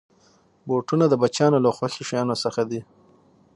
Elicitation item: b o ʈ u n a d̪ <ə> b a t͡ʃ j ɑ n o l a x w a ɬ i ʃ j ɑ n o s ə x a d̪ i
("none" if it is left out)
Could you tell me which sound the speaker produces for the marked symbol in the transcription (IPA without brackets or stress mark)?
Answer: ə